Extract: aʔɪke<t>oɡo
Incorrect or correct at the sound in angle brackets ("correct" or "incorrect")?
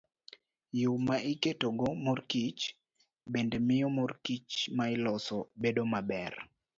correct